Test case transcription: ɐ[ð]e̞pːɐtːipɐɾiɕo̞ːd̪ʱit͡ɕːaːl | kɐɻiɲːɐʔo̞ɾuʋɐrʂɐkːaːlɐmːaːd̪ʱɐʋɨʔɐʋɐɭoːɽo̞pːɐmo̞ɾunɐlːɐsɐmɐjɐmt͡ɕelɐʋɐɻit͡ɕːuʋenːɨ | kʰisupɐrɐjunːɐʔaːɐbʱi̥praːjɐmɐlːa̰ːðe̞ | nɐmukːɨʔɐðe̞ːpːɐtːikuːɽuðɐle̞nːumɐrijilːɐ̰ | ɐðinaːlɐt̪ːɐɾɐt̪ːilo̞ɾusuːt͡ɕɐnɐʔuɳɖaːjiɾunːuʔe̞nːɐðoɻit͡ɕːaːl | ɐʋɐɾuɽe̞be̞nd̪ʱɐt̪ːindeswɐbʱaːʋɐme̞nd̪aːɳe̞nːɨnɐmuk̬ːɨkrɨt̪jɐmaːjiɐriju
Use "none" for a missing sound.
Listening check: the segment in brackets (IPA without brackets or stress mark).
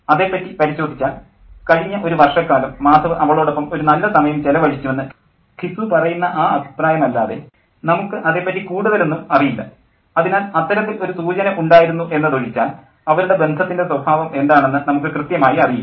ð